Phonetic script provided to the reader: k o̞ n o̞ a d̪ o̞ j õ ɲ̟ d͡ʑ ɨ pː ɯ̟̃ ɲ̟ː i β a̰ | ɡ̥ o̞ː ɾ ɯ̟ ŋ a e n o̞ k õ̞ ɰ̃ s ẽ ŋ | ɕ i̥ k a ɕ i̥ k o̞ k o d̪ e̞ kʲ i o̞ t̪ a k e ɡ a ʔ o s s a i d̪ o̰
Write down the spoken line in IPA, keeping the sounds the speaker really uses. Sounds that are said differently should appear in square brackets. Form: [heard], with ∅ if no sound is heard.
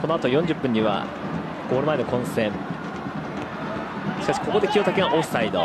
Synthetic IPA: k o̞ n o̞ a [t̪] o̞ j õ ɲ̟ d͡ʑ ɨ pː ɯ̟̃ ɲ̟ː i β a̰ | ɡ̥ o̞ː ɾ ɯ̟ [m] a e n o̞ k õ̞ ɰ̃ s ẽ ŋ | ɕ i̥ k a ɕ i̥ k o̞ k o d̪ e̞ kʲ i o̞ t̪ a k e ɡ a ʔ o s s a i d̪ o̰